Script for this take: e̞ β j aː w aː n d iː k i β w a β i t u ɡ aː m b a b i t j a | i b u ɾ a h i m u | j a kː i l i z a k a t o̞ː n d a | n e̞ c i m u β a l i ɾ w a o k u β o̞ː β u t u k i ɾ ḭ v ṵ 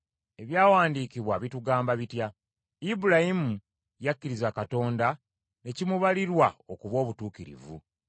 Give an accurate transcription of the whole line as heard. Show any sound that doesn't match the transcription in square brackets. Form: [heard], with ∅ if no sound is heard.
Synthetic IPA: e̞ β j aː w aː n d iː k i β w a β i t u ɡ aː m b a [β] i t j a | i b u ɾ a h i m u | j a kː i [ɾ] i z a k a t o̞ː n d a | n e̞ c i m u β a l i ɾ w a o k u β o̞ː β u t [uː] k i ɾ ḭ v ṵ